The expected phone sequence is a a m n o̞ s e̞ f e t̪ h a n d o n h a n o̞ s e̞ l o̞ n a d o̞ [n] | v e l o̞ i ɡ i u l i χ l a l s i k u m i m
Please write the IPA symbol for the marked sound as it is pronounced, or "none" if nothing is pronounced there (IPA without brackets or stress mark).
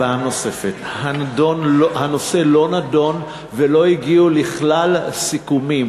n